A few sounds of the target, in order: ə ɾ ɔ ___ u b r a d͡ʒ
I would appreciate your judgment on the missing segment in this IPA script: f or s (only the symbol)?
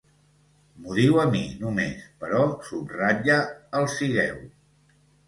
s